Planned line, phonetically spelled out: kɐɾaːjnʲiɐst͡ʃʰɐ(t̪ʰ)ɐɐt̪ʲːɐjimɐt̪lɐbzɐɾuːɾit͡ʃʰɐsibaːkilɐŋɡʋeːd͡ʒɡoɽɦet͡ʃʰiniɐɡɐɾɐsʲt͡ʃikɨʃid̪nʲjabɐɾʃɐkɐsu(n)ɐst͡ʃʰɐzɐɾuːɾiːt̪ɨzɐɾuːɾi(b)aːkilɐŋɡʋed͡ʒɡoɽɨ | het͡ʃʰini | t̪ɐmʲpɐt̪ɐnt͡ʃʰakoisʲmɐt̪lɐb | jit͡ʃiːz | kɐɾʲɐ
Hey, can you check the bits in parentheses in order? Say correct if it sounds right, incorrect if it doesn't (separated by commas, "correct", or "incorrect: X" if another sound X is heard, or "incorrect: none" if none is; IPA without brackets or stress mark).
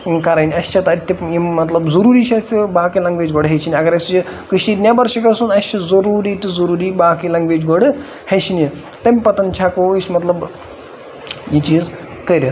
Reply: incorrect: t̪, correct, correct